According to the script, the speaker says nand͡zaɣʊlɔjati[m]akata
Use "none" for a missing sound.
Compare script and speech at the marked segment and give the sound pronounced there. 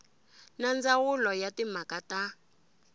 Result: m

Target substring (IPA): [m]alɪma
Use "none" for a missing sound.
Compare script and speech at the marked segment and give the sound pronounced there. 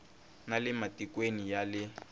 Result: n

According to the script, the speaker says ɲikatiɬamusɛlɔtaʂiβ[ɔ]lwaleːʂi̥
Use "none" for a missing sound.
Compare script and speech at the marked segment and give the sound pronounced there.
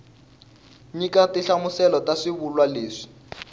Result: u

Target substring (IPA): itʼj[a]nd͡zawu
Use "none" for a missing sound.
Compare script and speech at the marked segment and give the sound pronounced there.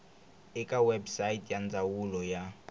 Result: a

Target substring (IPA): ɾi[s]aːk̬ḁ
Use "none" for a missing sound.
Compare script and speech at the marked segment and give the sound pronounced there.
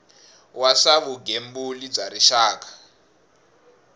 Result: ʃ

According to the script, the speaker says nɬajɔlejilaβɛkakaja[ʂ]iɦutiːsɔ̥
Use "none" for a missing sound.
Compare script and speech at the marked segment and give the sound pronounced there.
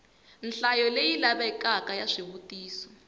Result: ʂ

